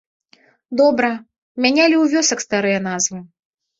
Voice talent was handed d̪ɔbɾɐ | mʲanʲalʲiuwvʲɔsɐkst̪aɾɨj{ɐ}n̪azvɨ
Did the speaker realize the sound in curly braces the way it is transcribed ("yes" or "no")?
yes